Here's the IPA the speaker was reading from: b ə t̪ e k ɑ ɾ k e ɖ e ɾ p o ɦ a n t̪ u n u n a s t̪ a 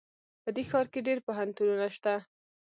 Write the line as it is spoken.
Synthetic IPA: p ə d̪ e x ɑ ɾ k e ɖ e ɾ p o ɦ a n t̪ u n u n a ʃ t̪ a